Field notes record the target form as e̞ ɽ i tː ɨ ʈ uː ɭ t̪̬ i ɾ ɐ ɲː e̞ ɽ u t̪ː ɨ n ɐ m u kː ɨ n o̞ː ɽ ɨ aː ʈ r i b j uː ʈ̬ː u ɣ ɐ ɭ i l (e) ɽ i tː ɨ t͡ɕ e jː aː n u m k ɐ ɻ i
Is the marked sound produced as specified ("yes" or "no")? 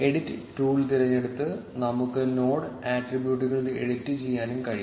yes